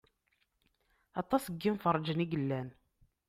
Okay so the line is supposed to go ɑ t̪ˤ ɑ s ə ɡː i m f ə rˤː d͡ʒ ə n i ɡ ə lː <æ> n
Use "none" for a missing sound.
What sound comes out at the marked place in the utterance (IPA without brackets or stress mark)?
æ